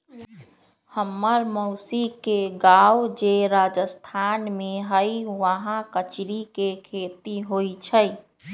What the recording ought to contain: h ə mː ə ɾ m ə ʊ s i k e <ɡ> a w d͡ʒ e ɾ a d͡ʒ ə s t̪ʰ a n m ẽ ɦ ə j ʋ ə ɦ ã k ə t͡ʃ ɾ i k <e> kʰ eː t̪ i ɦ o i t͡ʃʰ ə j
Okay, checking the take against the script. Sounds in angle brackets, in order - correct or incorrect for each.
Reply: correct, correct

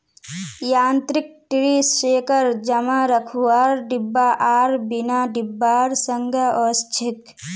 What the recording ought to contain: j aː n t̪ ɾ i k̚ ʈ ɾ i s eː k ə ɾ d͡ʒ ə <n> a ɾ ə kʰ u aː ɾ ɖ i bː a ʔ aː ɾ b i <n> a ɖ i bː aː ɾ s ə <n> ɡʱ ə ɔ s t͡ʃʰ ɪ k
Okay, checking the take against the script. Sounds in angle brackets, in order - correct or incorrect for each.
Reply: incorrect: m, correct, incorrect: ŋ

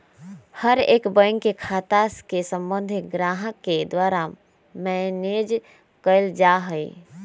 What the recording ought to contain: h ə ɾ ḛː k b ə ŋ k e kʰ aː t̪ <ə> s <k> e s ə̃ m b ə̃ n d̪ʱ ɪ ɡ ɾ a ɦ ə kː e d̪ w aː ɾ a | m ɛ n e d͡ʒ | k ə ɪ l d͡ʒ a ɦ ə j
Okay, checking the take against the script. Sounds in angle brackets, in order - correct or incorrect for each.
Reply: incorrect: a, correct

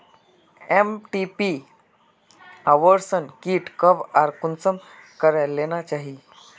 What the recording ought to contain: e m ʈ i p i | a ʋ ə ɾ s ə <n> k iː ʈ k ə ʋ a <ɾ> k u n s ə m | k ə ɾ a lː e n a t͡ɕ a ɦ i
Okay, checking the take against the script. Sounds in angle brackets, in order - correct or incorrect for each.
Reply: correct, correct

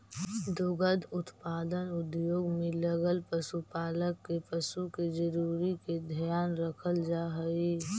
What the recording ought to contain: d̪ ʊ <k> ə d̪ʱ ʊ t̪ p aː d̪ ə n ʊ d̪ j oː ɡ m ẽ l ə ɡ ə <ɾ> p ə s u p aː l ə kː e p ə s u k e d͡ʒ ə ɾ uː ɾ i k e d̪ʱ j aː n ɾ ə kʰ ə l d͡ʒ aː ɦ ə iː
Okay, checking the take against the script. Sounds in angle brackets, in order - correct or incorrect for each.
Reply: incorrect: ɡ, incorrect: l

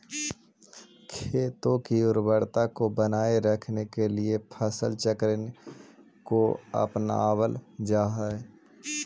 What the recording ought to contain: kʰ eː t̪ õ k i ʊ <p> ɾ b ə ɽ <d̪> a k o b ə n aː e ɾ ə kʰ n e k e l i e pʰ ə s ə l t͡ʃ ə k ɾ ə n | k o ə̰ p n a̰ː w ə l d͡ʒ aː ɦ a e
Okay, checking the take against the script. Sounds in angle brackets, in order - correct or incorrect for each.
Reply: incorrect: none, incorrect: t̪

